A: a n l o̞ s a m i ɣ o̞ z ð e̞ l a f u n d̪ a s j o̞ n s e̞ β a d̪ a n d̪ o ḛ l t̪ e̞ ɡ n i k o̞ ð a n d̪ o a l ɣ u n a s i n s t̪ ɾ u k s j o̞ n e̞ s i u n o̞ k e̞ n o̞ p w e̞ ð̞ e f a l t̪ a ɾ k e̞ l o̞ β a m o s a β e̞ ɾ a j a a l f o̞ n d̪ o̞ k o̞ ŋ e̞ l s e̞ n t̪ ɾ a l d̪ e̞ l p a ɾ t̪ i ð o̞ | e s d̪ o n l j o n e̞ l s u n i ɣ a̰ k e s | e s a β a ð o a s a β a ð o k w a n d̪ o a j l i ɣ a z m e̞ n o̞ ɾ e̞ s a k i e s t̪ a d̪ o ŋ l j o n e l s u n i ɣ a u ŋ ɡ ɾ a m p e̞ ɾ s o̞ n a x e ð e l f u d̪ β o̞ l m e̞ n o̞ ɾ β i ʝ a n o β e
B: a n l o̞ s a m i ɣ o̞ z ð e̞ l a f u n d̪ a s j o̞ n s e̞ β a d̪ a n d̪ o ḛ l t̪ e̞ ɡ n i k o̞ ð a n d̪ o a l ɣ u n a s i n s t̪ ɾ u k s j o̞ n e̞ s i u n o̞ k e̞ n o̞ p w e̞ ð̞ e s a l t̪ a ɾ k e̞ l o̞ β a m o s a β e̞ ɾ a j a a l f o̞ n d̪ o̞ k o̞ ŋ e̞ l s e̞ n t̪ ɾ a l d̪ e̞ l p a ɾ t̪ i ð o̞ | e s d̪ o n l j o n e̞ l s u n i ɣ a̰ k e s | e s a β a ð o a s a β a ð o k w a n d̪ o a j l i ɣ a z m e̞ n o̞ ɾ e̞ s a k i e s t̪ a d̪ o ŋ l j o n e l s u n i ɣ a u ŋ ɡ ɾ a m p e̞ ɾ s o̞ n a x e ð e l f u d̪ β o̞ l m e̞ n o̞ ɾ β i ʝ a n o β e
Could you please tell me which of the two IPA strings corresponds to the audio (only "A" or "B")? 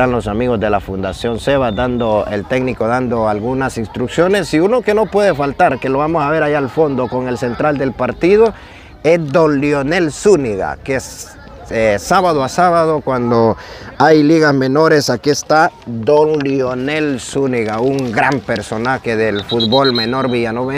A